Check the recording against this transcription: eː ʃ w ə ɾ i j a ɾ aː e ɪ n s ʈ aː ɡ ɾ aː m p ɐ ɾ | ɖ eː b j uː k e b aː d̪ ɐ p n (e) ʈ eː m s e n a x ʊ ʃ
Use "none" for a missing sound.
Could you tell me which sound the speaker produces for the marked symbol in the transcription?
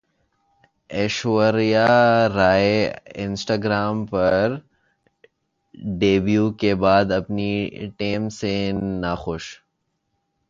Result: i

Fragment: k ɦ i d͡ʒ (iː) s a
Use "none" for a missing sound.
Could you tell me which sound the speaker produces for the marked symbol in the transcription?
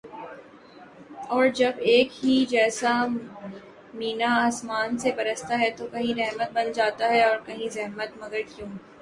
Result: ɛː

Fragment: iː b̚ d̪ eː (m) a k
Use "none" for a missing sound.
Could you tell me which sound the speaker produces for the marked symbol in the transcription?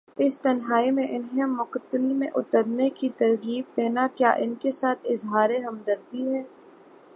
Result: n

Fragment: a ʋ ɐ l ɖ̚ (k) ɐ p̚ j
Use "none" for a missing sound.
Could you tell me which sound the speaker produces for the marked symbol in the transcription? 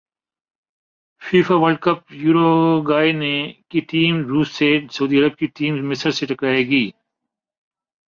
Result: k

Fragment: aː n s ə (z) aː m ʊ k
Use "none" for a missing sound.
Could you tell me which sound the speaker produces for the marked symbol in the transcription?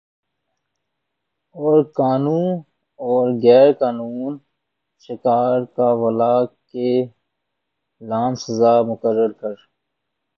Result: z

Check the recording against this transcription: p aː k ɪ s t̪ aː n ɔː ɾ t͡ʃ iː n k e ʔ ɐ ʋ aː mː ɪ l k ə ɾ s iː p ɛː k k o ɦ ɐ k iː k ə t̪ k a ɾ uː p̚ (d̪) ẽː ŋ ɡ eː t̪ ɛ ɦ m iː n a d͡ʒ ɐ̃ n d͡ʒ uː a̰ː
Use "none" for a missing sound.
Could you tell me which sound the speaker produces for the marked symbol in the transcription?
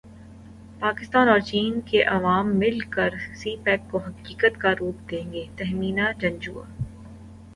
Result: d̪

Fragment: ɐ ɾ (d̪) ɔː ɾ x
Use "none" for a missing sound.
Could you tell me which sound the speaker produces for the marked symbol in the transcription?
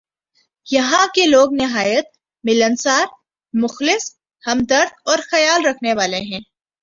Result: d̪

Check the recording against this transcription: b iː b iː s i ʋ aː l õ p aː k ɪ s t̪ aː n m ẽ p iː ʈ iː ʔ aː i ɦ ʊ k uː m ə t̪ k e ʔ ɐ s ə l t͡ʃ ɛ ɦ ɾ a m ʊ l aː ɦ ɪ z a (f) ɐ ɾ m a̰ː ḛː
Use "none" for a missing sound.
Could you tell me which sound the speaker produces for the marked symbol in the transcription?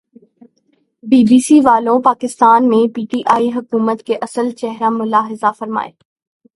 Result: f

